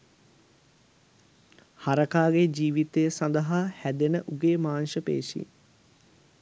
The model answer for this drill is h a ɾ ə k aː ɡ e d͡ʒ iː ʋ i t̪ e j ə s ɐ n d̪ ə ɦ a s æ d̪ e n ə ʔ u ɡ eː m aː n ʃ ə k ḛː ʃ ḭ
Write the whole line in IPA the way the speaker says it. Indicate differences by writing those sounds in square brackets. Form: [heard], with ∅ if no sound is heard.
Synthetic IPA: h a ɾ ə k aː ɡ e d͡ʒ iː ʋ i t̪ e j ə s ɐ n d̪ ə ɦ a [h] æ d̪ e n ə ʔ u ɡ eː m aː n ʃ ə [p] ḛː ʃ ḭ